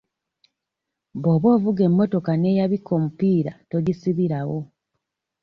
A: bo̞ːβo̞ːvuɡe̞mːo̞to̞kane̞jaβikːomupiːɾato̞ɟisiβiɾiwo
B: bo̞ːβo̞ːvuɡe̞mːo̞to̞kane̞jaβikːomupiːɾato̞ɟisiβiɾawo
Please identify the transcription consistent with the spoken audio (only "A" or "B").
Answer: B